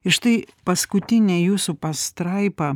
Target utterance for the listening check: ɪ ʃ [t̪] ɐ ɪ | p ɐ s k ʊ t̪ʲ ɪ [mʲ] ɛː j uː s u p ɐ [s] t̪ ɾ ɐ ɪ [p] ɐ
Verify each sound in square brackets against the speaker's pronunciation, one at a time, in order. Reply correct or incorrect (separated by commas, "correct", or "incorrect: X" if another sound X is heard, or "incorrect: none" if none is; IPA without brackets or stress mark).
correct, incorrect: nʲ, correct, correct